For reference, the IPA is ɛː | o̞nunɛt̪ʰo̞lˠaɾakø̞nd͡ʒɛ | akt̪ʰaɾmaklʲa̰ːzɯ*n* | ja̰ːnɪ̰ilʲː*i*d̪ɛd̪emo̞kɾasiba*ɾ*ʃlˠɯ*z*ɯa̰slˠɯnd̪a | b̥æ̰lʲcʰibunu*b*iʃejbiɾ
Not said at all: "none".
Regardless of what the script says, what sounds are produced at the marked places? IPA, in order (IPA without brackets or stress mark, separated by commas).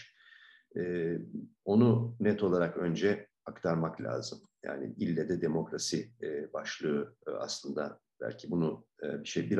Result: m, ɛ, none, none, b